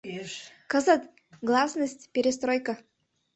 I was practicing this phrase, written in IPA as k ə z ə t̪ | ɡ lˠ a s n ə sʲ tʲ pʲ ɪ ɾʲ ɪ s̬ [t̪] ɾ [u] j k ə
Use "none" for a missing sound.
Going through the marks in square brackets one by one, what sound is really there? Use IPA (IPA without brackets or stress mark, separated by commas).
t̪, o